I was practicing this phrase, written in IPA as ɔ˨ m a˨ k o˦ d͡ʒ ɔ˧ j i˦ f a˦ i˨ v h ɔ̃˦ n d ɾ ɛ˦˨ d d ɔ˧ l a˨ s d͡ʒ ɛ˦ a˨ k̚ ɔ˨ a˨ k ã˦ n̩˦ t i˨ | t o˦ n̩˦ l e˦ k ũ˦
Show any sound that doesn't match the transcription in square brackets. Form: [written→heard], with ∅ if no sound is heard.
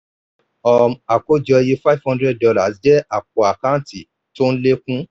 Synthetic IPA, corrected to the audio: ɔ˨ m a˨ k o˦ d͡ʒ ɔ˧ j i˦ f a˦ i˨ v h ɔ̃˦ n d ɾ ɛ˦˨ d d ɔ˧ l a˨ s d͡ʒ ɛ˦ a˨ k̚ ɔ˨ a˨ k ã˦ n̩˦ t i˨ | t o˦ n̩˦ l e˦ k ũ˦